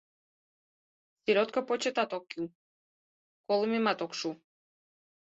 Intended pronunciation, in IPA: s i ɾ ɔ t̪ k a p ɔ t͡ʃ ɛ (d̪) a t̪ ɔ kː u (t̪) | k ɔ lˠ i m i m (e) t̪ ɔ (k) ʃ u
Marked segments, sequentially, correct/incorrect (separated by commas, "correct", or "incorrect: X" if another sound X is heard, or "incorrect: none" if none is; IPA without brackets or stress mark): incorrect: t̪, incorrect: none, incorrect: a, correct